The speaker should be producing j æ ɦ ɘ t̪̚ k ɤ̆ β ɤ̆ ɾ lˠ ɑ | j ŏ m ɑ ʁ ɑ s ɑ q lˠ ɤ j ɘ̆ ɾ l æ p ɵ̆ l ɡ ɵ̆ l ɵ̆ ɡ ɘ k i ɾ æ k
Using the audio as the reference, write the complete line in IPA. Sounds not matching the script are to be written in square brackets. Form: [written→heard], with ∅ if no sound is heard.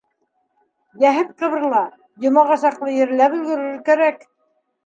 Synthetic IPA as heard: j æ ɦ ɘ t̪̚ [k→q] ɤ̆ β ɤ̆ ɾ lˠ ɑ | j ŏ m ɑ ʁ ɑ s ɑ q lˠ ɤ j ɘ̆ ɾ l æ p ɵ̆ l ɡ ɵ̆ [l→ɾ] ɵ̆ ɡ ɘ k [i→æ] ɾ æ k